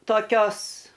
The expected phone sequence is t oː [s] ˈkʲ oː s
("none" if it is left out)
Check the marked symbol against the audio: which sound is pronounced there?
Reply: none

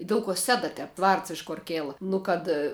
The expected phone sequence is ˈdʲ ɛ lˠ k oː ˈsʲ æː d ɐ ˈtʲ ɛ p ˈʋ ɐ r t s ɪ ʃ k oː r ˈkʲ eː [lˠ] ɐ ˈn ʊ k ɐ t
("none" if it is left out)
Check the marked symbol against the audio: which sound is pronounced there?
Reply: lˠ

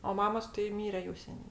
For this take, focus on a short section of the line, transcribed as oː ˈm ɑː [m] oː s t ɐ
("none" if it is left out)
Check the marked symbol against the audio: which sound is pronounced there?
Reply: m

